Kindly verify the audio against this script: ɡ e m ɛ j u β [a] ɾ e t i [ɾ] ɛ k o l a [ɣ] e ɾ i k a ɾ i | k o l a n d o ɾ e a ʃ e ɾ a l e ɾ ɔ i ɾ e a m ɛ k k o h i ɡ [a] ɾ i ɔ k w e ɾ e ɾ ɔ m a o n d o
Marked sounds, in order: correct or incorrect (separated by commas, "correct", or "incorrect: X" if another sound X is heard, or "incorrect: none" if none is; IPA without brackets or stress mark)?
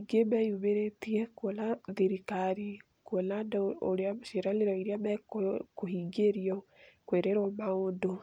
incorrect: e, incorrect: none, incorrect: ð, incorrect: e